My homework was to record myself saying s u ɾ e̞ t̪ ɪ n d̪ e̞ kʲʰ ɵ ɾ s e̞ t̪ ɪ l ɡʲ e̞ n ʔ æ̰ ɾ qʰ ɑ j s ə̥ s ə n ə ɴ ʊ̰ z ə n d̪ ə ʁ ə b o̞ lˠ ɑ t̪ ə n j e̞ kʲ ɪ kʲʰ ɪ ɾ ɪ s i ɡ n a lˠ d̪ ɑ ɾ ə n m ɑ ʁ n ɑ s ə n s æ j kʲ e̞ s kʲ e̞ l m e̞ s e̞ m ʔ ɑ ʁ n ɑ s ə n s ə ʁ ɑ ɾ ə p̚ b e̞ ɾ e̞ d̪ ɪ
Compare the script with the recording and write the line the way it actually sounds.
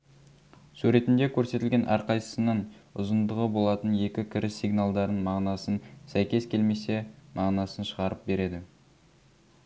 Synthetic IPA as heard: s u ɾ e̞ t̪ ɪ n d̪ e̞ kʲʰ ɵ ɾ s e̞ t̪ ɪ l ɡʲ e̞ n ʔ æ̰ ɾ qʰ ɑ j s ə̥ s ə n ə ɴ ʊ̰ z ə n d̪ ə ʁ ə b o̞ lˠ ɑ t̪ ə n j e̞ kʲ ɪ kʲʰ ɪ ɾ ɪ s i ɡ n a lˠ d̪ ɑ ɾ ə n m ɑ ʁ n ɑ s ə n s æ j kʲ e̞ s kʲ e̞ l m e̞ s e̞ m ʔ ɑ ʁ n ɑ s ə n ʃ ə ʁ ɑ ɾ ə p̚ b e̞ ɾ e̞ d̪ ɪ